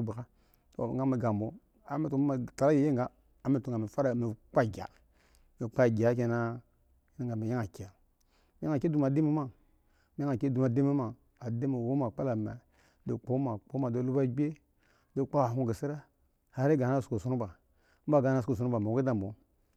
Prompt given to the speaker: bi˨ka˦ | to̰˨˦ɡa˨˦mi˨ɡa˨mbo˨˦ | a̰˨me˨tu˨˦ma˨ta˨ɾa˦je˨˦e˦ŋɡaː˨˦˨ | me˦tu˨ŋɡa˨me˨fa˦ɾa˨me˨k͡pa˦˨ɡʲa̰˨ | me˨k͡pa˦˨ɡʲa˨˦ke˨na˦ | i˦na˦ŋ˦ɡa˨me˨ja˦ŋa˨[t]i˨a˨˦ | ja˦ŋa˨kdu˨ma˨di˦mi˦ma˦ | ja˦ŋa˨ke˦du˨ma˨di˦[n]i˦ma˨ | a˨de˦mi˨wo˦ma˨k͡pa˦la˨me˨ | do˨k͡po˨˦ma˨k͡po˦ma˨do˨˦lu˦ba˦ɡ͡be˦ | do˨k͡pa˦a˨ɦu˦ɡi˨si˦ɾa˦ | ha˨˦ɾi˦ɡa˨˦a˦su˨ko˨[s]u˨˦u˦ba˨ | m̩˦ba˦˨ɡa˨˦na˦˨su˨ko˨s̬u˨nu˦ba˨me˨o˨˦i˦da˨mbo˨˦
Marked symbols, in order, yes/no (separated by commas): no, no, yes